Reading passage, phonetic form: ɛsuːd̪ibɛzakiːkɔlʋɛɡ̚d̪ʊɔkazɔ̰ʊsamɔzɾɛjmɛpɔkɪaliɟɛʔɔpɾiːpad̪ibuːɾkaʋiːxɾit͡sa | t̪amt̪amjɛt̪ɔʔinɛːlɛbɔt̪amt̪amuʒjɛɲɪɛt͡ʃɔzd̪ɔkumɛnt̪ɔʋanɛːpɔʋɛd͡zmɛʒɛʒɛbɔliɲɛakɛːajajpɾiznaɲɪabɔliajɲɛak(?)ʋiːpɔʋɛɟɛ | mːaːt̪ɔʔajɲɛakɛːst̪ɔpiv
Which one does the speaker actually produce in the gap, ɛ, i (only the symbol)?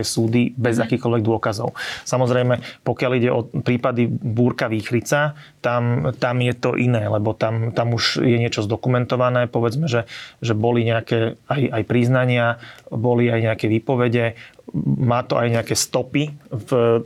ɛ